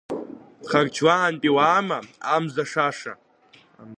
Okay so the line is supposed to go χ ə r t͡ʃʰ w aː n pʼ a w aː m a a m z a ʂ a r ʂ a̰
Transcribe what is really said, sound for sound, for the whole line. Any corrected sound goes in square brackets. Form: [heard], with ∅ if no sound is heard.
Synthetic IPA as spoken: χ [a] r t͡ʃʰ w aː n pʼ [i] w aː m a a m z a ʂ a [∅] ʂ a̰